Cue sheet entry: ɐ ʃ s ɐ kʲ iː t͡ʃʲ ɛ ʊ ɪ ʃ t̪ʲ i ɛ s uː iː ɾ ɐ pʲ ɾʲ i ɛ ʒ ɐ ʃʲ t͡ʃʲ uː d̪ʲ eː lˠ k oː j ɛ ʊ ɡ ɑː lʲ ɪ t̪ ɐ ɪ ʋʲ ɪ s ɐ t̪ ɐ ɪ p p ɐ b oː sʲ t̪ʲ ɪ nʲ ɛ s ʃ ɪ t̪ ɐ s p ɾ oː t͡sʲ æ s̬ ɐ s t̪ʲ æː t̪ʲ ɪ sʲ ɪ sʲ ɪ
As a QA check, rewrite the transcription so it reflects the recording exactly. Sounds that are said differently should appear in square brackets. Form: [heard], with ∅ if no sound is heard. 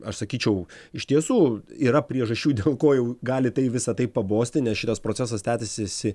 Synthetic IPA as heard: ɐ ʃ s ɐ kʲ iː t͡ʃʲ ɛ ʊ ɪ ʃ t̪ʲ i ɛ s uː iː ɾ ɐ pʲ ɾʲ i ɛ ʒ ɐ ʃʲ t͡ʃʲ uː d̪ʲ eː lˠ k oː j ɛ ʊ ɡ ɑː lʲ ɪ t̪ ɐ ɪ ʋʲ ɪ s ɐ t̪ ɐ ɪ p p ɐ b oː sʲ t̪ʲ ɪ nʲ ɛ s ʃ ɪ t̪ ɐ s p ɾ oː t͡sʲ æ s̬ ɐ s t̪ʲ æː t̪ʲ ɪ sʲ ɪ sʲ ɪ